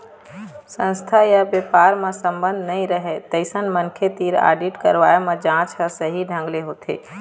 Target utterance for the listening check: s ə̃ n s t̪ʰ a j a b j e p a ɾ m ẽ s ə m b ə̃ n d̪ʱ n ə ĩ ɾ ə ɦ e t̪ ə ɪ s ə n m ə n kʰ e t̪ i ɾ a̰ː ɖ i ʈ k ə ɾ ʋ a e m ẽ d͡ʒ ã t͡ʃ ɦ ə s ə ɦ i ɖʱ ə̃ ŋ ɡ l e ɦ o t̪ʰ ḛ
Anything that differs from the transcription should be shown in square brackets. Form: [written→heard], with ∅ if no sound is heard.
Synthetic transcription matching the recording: s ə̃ n s t̪ʰ a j a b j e p a ɾ m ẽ s ə m b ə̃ n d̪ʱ n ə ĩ ɾ ə ɦ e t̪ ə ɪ s ə n m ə n kʰ e t̪ i ɾ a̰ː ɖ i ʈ k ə ɾ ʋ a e m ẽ d͡ʒ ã t͡ʃ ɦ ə s ə ɦ i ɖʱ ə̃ ŋ ɡ l e ɦ o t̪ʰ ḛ